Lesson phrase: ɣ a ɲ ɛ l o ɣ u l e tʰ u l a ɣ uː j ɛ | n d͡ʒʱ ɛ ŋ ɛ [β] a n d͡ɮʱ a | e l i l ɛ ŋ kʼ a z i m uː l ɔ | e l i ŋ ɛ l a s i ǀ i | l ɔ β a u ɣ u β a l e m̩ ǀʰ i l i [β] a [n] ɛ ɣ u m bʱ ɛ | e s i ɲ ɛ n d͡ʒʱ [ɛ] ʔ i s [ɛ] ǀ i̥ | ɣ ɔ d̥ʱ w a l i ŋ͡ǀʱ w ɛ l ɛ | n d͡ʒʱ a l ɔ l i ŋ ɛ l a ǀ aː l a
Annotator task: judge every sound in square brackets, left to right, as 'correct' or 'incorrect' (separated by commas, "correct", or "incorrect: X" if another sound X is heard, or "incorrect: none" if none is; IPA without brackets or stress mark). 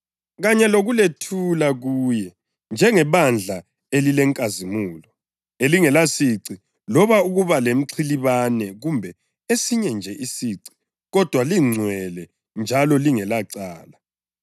correct, correct, correct, correct, incorrect: i